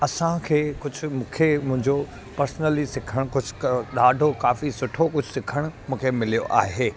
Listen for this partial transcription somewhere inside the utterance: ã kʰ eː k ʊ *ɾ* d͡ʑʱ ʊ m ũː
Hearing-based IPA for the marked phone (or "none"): none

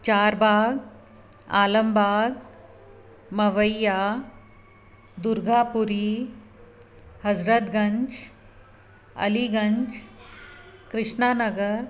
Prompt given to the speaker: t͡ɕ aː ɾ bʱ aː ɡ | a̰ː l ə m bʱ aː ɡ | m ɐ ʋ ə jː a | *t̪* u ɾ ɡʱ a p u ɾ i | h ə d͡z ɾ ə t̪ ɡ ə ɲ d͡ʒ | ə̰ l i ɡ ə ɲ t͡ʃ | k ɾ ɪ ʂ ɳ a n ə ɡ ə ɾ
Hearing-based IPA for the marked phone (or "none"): d̪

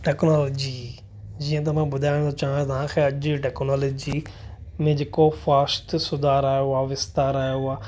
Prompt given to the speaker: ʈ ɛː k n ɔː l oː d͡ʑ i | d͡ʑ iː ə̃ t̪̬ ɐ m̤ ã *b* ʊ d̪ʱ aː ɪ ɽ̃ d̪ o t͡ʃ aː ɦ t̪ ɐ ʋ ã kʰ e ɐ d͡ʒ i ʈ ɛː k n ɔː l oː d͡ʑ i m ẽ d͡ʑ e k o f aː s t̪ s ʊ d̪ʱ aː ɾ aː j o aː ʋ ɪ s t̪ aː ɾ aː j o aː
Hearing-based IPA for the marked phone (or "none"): b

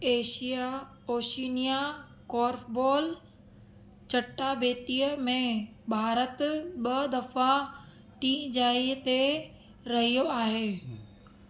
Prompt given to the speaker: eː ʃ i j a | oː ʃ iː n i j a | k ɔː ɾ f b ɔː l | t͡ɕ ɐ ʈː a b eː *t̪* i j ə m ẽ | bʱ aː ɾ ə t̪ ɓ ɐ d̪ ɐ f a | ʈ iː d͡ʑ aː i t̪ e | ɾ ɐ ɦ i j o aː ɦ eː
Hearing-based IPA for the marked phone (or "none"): t̪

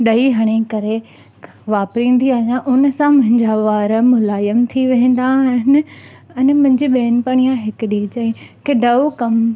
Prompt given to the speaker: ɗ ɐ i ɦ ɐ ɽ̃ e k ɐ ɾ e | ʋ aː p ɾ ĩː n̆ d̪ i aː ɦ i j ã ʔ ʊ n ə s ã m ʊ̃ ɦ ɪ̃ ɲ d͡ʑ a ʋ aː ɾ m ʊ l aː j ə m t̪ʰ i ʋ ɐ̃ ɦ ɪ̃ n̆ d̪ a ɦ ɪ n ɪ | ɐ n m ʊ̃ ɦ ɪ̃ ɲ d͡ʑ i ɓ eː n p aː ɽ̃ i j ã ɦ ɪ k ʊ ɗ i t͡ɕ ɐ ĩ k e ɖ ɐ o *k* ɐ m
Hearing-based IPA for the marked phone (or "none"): k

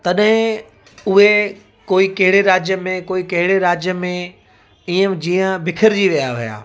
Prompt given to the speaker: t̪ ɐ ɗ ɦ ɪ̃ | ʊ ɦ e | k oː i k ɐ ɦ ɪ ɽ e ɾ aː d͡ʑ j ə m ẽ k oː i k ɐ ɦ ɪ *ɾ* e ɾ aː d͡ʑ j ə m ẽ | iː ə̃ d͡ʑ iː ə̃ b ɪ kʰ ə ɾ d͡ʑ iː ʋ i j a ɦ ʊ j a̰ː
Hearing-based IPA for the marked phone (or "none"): ɽ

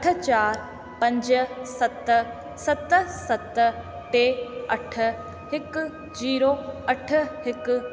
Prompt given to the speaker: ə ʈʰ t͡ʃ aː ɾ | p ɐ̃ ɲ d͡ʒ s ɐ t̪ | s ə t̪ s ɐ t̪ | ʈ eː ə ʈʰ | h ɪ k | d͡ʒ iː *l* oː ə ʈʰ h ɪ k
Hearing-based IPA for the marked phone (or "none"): ɾ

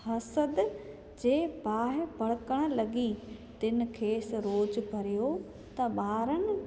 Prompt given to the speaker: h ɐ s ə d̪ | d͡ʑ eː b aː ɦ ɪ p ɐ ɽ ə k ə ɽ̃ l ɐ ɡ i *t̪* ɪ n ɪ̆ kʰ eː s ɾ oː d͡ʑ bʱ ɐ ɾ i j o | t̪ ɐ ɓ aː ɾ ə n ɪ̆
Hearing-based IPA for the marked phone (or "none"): t̪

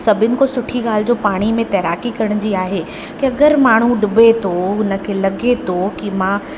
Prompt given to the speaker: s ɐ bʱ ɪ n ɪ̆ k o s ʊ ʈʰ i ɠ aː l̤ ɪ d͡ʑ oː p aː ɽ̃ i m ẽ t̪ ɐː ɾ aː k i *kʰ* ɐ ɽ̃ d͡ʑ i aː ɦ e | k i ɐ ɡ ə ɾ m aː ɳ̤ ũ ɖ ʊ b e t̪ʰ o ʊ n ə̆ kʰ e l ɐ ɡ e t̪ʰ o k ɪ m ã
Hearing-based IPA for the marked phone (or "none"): k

